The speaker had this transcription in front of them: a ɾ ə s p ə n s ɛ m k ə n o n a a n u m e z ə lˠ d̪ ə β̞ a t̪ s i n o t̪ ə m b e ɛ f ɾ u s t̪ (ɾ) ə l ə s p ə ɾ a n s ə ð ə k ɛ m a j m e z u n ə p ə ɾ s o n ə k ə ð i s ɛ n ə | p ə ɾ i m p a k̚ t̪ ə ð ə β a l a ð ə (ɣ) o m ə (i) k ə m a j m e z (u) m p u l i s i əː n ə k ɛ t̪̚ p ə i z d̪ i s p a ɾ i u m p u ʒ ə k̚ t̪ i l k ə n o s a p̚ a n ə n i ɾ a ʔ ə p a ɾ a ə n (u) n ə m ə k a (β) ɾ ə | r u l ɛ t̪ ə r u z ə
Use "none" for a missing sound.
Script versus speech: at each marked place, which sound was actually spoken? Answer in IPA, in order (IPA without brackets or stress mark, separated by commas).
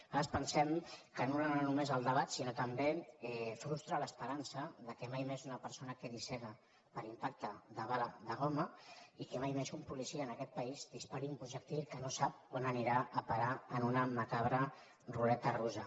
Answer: ɾ, ɣ, i, u, u, β